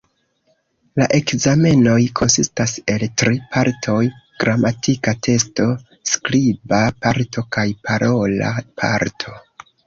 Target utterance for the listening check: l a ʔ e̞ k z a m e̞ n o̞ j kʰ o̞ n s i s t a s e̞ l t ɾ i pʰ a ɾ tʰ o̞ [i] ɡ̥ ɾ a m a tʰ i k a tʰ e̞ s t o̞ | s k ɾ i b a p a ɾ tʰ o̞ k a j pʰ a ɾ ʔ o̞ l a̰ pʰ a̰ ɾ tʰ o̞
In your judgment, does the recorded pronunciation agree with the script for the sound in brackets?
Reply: no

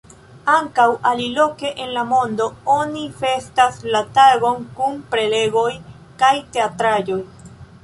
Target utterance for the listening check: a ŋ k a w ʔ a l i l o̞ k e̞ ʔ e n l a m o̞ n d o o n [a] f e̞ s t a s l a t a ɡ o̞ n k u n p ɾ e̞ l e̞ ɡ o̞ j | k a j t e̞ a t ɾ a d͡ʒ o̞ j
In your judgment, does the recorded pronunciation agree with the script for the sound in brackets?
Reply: no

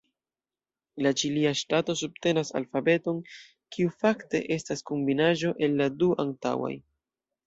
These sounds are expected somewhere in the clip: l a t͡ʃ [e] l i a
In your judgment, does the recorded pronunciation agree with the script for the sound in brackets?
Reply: no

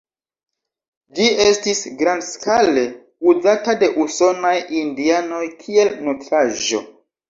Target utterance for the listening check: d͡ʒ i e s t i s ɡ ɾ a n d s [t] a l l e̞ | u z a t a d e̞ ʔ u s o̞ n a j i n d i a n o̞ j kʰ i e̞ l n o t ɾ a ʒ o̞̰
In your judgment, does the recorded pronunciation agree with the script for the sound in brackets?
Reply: no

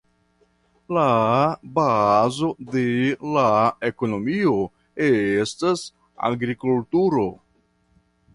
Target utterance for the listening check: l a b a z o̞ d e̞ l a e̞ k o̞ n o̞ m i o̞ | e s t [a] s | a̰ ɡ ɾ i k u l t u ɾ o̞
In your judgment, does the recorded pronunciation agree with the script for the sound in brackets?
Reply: yes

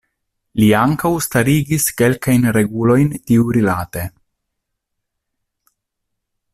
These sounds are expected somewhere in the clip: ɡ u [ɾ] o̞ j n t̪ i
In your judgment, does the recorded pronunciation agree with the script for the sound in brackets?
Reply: no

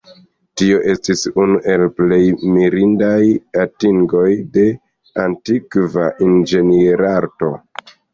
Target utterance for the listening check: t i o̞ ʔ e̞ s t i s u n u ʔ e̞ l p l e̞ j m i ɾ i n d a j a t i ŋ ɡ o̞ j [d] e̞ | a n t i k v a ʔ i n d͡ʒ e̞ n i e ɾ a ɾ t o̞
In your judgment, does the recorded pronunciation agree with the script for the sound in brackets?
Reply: yes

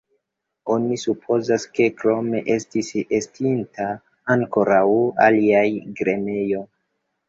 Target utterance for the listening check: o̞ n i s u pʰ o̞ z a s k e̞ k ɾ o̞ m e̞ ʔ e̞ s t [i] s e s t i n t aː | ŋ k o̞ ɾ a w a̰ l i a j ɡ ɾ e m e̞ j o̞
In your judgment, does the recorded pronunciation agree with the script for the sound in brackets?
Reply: yes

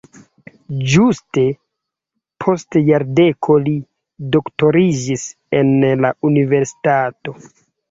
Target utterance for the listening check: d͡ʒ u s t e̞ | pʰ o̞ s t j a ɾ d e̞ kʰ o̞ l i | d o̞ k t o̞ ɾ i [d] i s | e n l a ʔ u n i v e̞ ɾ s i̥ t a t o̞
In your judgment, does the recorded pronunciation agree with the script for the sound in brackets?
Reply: no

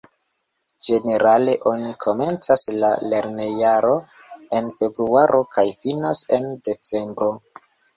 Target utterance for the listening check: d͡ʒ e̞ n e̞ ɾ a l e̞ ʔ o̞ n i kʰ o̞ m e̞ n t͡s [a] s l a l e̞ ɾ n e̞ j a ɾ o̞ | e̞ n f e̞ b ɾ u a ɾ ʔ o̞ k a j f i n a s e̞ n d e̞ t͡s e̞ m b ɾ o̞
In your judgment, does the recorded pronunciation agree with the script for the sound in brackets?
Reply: yes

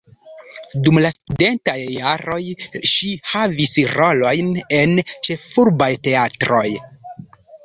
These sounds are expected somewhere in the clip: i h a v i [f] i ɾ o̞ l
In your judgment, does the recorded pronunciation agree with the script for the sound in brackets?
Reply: no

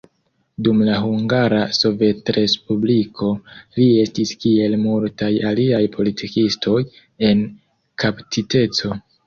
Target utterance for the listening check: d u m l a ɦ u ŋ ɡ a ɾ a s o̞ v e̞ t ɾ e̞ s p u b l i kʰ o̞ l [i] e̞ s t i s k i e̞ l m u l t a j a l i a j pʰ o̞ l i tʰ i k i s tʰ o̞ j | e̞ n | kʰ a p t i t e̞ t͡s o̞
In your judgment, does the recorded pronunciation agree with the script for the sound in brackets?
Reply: yes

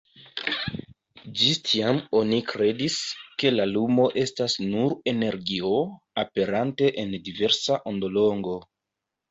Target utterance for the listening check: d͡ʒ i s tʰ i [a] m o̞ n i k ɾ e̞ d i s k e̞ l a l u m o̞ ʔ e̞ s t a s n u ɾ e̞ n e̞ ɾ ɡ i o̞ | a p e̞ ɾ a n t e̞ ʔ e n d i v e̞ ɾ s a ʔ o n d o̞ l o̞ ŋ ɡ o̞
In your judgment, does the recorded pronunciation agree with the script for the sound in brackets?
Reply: yes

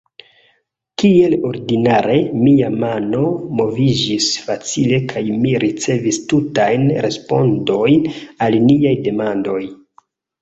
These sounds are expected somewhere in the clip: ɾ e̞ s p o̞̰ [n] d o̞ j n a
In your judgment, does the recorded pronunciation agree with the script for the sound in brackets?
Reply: yes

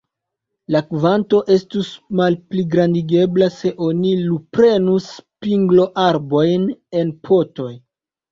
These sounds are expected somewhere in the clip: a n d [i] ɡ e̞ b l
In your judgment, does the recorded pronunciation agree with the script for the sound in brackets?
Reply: yes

